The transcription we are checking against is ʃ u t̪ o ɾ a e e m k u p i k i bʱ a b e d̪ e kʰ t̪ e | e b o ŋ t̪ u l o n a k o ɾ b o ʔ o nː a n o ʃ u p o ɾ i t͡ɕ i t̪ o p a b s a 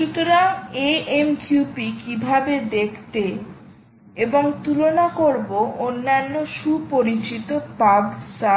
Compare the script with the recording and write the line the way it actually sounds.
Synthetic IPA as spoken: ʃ u t̪ o ɾ a e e m k u p i k i bʱ a b e d̪ e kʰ t̪ e | e b o ŋ t̪ u l o n a k o ɾ b o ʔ o nː a nː o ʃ u p o ɾ i t͡ɕ i t̪ o p a b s a